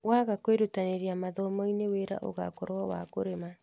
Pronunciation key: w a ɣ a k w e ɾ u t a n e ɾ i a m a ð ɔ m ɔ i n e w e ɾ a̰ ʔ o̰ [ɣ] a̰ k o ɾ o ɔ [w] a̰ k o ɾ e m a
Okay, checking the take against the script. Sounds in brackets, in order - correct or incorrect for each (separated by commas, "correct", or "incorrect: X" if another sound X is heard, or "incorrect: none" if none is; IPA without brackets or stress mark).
correct, correct